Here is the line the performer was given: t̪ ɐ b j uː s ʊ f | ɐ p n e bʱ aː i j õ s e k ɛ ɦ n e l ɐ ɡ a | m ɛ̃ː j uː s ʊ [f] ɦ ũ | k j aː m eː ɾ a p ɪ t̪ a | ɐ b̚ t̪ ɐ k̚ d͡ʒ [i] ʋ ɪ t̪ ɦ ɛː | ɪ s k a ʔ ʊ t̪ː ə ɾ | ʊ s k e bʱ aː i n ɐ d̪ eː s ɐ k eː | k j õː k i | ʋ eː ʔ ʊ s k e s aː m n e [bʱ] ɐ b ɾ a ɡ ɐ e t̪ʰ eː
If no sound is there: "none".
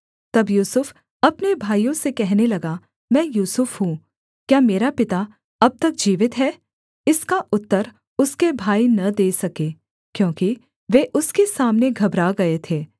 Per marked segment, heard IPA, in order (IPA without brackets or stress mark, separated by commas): f, iː, ɡʱ